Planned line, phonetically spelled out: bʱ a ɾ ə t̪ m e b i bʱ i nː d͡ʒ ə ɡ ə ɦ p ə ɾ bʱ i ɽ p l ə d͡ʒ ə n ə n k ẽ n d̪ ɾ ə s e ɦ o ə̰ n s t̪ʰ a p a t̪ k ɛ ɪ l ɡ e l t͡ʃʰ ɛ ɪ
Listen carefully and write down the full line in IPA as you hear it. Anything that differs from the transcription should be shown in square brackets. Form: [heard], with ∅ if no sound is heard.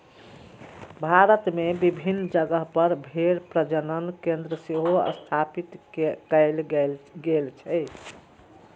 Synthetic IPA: bʱ a ɾ ə t̪ m e b i bʱ i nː d͡ʒ ə ɡ ə ɦ p ə ɾ bʱ [e] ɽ p [ɾ] ə d͡ʒ ə n ə n k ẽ n d̪ ɾ ə s e ɦ o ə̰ [∅] s t̪ʰ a p [i] t̪ k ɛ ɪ l ɡ e l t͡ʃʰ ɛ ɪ

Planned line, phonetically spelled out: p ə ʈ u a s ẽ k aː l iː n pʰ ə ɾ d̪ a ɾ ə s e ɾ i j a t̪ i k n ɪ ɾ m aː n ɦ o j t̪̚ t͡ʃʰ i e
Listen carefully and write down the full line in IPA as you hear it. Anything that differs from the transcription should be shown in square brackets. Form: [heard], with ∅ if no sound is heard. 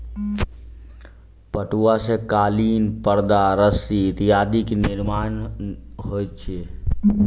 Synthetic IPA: p ə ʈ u a s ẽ k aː l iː n [p] ə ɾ d̪ a ɾ ə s [i] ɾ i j a [d̪] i k n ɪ ɾ m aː n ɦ o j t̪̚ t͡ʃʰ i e

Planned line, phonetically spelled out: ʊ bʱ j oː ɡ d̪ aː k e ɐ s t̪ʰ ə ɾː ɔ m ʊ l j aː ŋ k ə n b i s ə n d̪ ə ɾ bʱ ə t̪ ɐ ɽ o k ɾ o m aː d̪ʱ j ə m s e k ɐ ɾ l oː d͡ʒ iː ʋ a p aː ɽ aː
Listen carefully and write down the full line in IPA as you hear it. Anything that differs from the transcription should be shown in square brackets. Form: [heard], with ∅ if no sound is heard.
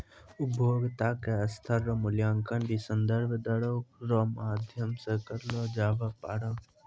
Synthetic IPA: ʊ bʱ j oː ɡ [t̪] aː k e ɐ s t̪ʰ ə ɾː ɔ m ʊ l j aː ŋ k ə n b i s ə n d̪ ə ɾ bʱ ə [d̪] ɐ ɽ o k ɾ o m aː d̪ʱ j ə m s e k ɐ ɾ l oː d͡ʒ [aː] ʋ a p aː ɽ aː

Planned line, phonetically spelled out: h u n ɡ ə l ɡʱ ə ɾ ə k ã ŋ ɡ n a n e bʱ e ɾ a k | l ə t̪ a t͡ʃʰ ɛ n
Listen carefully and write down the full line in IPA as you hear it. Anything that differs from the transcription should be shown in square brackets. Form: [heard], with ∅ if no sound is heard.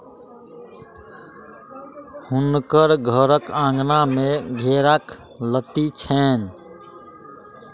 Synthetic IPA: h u n [k] ə [ɾ] ɡʱ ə ɾ ə k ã ŋ ɡ n a [m] e [ɡʱ] e ɾ a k | l ə t̪ [i] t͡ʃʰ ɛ n

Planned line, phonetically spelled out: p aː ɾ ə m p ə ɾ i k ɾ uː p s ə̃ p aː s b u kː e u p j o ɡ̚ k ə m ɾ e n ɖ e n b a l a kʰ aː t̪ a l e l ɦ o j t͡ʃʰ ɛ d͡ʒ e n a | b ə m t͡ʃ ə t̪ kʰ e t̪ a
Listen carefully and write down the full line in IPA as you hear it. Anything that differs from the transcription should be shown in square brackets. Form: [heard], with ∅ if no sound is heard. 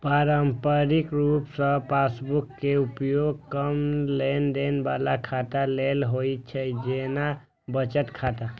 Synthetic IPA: p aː ɾ ə m p ə ɾ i k ɾ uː p s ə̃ p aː s b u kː e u p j o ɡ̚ k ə m [l] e n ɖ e n b a l a kʰ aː t̪ a l e l ɦ o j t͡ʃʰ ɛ d͡ʒ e n a | b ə [∅] t͡ʃ ə t̪ kʰ [a] t̪ a

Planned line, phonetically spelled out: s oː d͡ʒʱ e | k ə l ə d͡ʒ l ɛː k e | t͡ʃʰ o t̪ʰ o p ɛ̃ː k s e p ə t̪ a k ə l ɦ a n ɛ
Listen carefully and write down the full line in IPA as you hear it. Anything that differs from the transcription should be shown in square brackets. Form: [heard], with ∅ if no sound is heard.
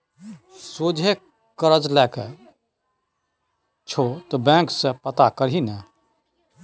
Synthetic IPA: s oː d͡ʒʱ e | k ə [ɾ] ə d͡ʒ l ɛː k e | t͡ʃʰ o [t̪] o [b] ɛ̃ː k s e p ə t̪ a k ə [ɾ] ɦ [i] n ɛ

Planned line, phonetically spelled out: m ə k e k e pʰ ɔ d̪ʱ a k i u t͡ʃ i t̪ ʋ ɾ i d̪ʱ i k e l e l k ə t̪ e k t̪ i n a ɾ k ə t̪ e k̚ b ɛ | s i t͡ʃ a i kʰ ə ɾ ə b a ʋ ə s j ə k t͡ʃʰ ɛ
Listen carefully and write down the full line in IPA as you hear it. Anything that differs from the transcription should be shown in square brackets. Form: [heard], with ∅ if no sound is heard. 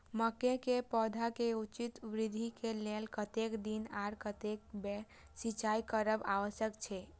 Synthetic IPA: m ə k e k e [p] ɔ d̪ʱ a k [e] u t͡ʃ i t̪ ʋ ɾ i d̪ʱ i k e l e l k ə t̪ e k [d̪] i n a ɾ k ə t̪ e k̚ b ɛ | s i t͡ʃ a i [k] ə ɾ ə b a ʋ ə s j ə k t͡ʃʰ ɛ

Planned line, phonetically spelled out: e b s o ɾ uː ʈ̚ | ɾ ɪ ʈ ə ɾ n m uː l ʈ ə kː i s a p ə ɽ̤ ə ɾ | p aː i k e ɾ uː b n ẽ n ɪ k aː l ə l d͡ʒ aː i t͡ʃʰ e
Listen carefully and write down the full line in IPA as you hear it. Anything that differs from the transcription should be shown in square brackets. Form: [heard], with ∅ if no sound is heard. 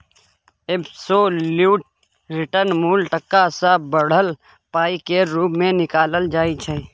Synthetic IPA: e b s o [l] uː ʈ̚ | ɾ ɪ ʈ ə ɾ n m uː l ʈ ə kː [a] s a [b] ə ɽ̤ ə [l] | p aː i k e ɾ uː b [m] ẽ n ɪ k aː l ə l d͡ʒ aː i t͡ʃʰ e

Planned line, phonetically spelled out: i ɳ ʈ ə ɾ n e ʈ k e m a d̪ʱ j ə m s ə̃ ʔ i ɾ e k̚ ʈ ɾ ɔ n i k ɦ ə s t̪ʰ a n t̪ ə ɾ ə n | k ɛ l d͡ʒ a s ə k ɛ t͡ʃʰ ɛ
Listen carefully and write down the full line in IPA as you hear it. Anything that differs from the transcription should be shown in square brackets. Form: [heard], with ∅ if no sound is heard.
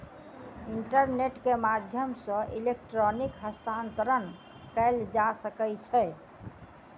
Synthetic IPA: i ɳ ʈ ə ɾ n e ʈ k e m a d̪ʱ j ə m s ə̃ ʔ i [l] e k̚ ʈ ɾ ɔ n i k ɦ ə s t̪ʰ a n t̪ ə ɾ ə n | k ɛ l d͡ʒ a s ə k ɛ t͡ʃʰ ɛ

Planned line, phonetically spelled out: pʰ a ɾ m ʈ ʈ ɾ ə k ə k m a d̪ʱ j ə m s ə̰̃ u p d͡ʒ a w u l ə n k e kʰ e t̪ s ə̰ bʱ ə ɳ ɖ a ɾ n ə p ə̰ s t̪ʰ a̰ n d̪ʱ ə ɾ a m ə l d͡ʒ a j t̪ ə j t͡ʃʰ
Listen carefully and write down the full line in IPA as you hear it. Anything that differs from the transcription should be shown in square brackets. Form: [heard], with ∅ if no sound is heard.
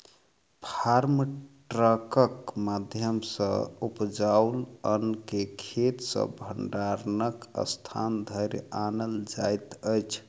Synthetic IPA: pʰ a ɾ m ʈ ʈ ɾ ə k ə k m a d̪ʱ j ə m s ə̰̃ u p d͡ʒ a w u l ə n k e kʰ e t̪ s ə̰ bʱ ə ɳ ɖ a ɾ n ə [k] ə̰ s t̪ʰ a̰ n d̪ʱ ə ɾ a [n] ə l d͡ʒ a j t̪ ə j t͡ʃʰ

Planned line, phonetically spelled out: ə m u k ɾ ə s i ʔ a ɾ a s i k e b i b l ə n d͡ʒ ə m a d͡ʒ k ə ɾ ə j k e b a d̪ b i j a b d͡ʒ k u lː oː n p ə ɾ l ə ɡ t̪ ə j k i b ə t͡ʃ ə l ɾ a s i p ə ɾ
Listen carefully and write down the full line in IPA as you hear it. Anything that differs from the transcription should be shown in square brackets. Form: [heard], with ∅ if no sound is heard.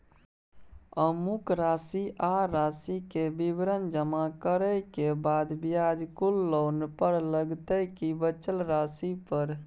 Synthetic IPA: ə m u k ɾ [a] s i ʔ a ɾ a s i k e b i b [ɾ] ə n d͡ʒ ə m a [∅] k ə ɾ ə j k e b a d̪ b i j a [∅] d͡ʒ k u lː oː n p ə ɾ l ə ɡ t̪ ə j k i b ə t͡ʃ ə l ɾ a s i p ə ɾ

